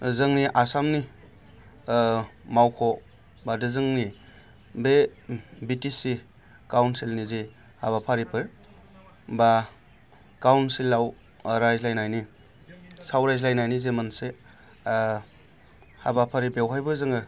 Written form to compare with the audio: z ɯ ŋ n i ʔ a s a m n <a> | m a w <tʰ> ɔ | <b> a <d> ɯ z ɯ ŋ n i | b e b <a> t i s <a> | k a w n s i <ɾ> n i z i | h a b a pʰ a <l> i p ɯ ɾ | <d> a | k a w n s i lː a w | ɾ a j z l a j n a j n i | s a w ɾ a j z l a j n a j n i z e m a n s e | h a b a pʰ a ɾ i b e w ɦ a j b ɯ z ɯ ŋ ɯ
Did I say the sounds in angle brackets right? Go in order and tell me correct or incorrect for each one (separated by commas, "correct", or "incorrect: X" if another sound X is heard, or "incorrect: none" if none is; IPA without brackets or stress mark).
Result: incorrect: i, incorrect: kʰ, correct, correct, incorrect: i, incorrect: i, incorrect: l, incorrect: ɾ, incorrect: b